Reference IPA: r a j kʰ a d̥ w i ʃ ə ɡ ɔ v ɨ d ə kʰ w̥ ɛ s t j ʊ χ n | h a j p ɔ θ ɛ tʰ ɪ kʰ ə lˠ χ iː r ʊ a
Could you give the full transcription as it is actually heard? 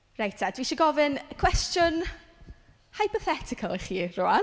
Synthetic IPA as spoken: r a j tʰ a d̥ w i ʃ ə ɡ ɔ v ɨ n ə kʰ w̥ ɛ s t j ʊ n | h a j p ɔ θ ɛ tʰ ɪ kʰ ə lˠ χ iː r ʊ a